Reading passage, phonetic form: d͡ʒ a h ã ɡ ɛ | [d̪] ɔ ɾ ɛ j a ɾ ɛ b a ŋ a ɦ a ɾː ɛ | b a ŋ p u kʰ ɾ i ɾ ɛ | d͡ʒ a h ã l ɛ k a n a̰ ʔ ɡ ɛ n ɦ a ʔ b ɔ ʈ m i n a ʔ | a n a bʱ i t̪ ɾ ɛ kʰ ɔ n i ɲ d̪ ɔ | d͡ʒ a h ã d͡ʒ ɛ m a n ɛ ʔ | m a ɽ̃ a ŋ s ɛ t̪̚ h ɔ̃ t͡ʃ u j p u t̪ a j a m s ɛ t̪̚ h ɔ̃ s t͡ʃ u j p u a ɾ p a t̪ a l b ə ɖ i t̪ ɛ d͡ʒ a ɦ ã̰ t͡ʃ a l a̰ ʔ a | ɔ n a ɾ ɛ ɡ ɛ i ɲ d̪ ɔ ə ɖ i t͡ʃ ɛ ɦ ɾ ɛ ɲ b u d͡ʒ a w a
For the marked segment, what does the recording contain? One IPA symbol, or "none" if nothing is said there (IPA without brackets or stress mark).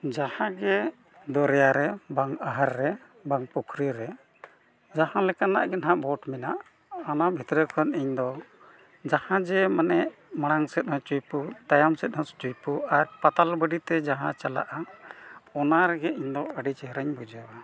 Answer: d̪